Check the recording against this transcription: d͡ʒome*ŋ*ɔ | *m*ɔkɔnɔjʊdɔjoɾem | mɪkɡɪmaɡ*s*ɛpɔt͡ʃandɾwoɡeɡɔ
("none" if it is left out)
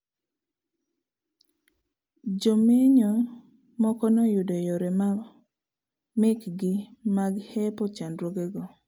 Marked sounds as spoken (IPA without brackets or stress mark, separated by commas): ɲ, m, h